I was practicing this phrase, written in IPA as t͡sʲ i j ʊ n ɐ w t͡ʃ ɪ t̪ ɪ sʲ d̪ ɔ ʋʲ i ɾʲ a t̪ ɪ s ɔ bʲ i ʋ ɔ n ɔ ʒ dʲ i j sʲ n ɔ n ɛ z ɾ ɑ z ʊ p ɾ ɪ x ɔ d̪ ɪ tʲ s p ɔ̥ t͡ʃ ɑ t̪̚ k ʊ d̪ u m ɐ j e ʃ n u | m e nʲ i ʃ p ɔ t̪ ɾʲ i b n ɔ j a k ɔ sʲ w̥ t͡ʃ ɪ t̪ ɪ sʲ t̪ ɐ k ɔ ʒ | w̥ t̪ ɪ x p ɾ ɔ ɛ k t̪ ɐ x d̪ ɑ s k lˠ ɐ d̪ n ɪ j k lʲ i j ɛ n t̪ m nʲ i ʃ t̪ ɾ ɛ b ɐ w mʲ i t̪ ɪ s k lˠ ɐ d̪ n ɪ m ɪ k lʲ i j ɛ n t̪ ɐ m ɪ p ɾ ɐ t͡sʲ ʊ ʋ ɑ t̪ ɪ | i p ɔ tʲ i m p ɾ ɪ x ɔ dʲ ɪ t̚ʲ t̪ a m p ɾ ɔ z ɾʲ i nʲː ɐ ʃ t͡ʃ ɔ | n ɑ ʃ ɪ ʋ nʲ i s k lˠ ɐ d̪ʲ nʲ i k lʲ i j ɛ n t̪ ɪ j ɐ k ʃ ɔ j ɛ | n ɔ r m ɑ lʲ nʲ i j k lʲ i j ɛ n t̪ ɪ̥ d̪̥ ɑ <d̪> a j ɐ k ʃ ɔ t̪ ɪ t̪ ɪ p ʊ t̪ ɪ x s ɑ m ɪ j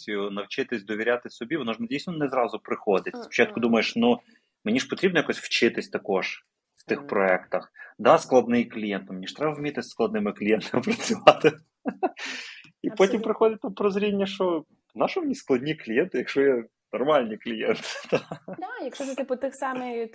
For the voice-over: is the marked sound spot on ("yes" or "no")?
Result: yes